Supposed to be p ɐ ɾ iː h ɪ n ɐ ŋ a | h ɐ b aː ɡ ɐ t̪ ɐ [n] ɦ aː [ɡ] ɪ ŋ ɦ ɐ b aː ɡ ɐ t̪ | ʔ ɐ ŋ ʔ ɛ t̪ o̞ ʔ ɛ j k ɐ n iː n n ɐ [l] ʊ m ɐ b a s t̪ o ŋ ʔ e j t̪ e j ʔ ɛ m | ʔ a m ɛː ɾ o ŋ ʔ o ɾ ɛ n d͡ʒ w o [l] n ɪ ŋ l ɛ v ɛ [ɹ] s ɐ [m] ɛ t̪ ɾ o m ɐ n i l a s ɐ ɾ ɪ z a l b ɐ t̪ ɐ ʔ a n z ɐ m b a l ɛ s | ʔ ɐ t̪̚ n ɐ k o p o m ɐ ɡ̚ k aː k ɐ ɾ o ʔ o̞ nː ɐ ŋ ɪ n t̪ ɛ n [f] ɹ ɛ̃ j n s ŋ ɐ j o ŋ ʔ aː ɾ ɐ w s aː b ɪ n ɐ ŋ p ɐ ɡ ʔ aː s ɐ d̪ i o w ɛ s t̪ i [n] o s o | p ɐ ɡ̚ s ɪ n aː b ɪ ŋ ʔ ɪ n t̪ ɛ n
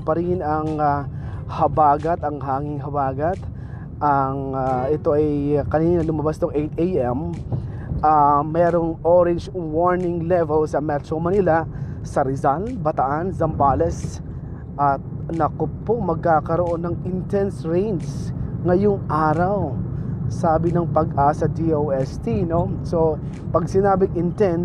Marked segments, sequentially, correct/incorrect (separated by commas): incorrect, incorrect, correct, incorrect, incorrect, correct, incorrect, correct